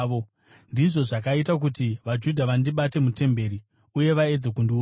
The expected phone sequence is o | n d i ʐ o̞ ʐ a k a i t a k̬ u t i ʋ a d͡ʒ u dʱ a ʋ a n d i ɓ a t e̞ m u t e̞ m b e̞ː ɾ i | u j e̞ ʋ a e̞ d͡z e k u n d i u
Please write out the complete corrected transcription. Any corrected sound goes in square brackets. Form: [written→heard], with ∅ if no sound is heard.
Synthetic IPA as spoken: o | n d i ʐ o̞ ʐ a k a i t a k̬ u t i ʋ a d͡ʒ u dʱ a ʋ a n d i ɓ a t e̞ m u t e̞ m b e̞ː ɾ i | u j e̞ ʋ a e̞ d͡z e k u n d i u